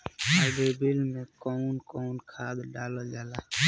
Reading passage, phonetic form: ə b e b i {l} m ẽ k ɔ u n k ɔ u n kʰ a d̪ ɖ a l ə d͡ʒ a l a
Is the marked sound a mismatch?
no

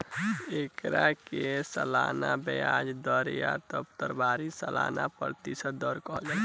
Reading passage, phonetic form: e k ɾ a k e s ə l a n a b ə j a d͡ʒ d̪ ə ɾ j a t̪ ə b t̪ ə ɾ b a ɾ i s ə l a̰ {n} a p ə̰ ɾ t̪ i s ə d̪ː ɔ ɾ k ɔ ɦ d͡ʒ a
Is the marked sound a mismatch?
no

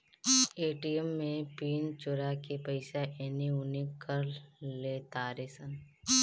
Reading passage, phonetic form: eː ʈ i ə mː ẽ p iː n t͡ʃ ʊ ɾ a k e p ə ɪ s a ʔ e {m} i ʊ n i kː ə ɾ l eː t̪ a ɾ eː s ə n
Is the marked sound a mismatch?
yes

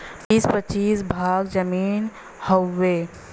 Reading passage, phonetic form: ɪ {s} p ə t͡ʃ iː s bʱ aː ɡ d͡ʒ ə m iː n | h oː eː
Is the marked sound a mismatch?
no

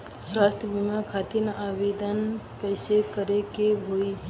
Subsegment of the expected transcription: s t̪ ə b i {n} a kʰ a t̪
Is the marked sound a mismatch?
yes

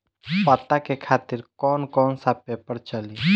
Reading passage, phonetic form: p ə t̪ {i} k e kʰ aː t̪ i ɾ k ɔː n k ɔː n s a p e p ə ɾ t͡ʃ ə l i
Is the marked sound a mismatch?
yes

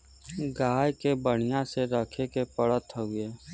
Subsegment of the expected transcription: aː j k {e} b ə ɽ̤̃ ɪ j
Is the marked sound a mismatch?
no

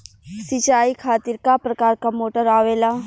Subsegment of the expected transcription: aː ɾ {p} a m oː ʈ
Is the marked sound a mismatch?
yes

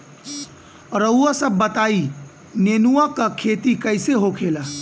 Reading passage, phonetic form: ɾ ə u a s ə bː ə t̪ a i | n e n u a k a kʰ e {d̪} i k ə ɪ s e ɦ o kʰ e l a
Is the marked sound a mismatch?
yes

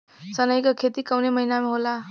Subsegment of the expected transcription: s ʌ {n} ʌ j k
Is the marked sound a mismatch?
no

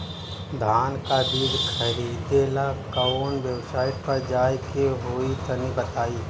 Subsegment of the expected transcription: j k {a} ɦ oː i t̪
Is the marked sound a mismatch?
yes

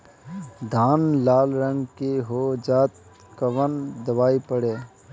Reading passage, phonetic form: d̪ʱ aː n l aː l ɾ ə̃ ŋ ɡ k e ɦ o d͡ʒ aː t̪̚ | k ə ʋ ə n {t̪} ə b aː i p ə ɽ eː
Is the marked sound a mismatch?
yes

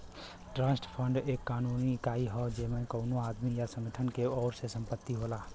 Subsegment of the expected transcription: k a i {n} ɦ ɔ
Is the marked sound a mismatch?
yes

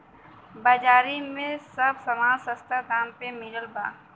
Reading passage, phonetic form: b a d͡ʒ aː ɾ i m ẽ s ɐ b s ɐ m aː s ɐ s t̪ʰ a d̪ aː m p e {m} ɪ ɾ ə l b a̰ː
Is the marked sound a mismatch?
no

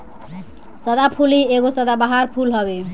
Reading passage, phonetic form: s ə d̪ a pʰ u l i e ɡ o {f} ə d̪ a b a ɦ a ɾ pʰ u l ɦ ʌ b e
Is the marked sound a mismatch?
yes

